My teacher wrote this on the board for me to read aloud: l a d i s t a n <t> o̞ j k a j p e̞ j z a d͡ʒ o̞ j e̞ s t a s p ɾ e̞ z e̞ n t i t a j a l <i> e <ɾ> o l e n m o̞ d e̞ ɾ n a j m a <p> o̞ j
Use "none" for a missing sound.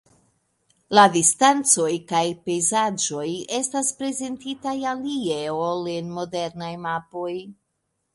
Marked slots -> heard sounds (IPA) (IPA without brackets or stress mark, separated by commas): t͡s, i, none, p